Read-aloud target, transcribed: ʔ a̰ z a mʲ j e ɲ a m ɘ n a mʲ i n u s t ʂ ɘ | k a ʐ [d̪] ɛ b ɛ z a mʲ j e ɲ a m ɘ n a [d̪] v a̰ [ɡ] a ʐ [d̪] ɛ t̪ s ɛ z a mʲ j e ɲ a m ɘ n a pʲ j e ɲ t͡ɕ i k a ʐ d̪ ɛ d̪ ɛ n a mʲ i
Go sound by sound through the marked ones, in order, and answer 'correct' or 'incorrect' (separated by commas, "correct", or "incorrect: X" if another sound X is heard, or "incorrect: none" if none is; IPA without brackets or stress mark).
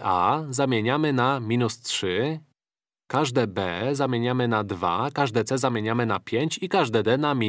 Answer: correct, correct, incorrect: k, correct